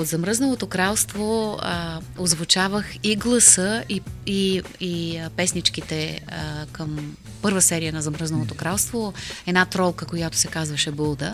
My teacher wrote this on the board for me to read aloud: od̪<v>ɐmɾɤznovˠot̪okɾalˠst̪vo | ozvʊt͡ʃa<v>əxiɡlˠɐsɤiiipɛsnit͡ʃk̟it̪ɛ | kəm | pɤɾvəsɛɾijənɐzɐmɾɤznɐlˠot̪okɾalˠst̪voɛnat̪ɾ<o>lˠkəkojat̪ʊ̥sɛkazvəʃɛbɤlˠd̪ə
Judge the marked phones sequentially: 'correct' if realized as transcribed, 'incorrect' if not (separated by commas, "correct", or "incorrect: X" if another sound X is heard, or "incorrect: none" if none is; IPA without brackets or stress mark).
incorrect: z, correct, incorrect: ɔ